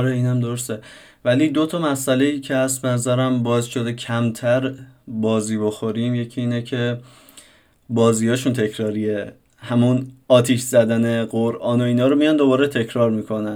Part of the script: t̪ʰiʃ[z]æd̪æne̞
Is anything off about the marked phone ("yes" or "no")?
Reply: no